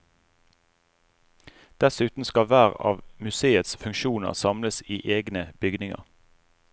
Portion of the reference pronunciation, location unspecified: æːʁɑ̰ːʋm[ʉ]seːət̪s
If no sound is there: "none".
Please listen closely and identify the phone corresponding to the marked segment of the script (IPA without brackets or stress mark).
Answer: ʉ